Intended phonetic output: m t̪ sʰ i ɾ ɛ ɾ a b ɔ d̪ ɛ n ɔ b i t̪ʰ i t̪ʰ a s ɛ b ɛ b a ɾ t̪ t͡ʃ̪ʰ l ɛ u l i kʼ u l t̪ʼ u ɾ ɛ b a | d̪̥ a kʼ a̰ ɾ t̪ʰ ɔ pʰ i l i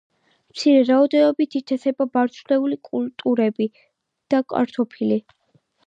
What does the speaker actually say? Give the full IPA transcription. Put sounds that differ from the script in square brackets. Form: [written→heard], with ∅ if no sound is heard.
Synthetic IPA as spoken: m t̪ sʰ i ɾ ɛ ɾ a [b→∅] ɔ d̪ ɛ n ɔ b i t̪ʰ i t̪ʰ [a→ɛ] s ɛ b [ɛ→a] b a ɾ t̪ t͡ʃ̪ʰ l ɛ u l i kʼ u l t̪ʼ u ɾ ɛ b [a→i] | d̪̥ a kʼ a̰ ɾ t̪ʰ ɔ pʰ i l i